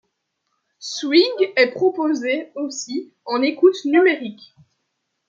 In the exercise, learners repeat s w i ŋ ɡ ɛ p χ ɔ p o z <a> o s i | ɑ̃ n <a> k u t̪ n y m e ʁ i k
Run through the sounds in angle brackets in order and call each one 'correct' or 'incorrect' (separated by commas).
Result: incorrect, incorrect